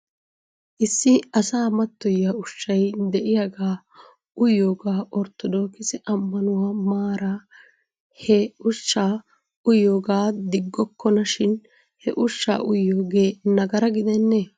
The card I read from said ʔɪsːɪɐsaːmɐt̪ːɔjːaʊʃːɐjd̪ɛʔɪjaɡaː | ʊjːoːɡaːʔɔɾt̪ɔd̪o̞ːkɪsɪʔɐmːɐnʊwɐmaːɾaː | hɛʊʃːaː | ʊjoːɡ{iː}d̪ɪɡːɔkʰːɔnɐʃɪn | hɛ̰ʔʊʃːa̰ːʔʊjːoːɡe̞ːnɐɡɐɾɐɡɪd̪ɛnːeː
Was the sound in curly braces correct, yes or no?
no